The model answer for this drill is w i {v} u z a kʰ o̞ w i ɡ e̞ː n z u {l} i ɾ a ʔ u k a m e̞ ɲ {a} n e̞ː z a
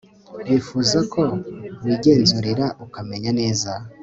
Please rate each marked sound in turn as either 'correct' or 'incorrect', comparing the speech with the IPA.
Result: incorrect, incorrect, correct

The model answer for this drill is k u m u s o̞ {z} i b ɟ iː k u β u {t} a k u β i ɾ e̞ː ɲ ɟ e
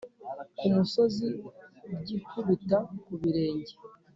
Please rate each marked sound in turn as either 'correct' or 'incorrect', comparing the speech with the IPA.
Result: correct, correct

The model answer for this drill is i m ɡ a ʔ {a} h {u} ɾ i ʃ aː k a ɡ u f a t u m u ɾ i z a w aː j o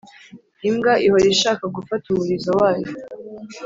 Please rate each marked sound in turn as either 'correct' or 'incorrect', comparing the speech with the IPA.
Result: incorrect, incorrect

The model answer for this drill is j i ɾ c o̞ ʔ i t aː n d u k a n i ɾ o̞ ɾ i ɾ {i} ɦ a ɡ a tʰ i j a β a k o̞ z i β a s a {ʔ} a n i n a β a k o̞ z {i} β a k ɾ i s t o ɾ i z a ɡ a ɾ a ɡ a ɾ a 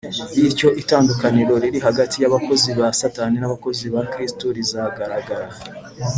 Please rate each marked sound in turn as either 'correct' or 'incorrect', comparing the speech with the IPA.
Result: correct, incorrect, correct

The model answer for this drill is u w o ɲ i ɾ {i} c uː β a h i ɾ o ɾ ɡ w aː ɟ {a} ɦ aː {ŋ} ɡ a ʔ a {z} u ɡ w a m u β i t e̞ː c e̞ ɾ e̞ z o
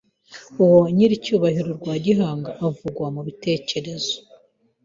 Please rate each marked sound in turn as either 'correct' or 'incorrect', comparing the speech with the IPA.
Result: correct, incorrect, correct, incorrect

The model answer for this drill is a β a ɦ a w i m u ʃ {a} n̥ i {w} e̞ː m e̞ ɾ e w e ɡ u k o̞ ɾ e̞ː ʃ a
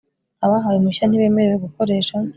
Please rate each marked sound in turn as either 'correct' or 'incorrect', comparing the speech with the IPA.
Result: correct, incorrect

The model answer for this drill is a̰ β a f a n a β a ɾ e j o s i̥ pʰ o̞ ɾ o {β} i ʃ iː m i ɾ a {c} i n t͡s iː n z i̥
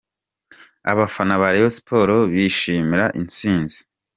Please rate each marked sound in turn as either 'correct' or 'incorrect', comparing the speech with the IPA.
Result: correct, incorrect

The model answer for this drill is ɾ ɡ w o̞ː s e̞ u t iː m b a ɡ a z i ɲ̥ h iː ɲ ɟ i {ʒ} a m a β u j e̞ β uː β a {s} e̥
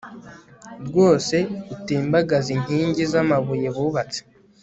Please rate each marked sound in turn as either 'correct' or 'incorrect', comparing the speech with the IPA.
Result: incorrect, incorrect

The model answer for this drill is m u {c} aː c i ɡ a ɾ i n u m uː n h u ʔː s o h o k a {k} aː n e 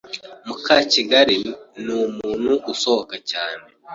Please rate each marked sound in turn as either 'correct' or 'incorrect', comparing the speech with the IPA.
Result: incorrect, incorrect

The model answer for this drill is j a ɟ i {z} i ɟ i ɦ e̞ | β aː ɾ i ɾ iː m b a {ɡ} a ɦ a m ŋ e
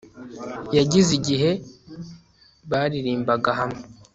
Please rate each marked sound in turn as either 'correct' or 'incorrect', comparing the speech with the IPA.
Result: correct, correct

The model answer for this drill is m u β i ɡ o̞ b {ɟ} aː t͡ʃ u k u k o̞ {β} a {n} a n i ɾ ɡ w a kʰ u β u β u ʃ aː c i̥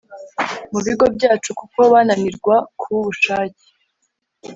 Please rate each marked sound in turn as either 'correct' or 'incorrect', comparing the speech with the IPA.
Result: correct, correct, correct

